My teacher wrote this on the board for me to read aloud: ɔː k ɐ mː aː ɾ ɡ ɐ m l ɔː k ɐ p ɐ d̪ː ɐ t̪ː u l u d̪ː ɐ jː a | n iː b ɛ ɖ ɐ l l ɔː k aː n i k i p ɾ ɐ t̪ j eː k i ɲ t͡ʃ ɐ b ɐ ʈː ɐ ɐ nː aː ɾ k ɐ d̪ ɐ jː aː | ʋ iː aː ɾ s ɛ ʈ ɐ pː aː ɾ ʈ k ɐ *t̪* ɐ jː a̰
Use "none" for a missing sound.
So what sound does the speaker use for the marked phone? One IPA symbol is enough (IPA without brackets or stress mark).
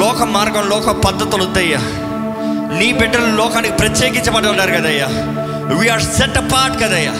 d̪